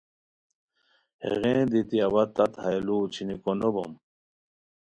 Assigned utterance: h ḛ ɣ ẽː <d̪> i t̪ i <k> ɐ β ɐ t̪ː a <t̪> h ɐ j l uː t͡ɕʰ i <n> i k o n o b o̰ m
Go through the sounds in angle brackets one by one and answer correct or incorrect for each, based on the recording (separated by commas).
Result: correct, incorrect, correct, correct